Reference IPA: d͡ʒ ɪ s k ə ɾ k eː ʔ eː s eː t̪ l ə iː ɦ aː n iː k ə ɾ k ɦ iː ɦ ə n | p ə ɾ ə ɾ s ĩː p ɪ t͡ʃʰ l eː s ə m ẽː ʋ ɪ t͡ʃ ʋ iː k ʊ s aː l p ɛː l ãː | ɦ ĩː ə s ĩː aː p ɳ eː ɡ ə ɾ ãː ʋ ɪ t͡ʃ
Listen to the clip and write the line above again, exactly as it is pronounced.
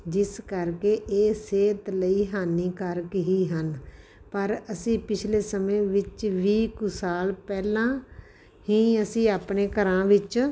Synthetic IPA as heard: d͡ʒ ɪ s k ə ɾ k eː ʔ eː s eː t̪ l ə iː ɦ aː n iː k ə ɾ k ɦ iː ɦ ə n | p ə ɾ ə s ĩː p ɪ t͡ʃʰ l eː s ə m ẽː ʋ ɪ t͡ʃ ʋ iː k ʊ s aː l p ɛː l ãː | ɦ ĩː ə s ĩː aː p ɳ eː k ə ɾ ãː ʋ ɪ t͡ʃ